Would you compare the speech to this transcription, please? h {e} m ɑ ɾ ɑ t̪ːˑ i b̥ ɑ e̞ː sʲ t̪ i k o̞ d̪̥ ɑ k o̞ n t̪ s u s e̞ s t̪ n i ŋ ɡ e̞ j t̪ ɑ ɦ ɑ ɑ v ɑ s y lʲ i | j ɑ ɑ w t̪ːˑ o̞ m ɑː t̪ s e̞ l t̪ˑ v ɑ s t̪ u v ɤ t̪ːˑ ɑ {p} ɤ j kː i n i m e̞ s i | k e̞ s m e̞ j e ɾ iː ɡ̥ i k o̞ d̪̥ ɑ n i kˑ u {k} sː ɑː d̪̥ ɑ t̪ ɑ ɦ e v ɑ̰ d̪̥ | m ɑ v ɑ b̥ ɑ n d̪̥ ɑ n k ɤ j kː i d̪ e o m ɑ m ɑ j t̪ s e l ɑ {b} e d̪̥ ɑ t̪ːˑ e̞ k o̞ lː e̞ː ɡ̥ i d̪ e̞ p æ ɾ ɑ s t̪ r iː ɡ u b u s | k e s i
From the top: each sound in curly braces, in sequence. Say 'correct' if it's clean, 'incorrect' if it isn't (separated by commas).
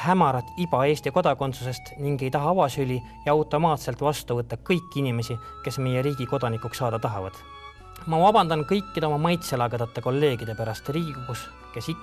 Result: incorrect, incorrect, correct, incorrect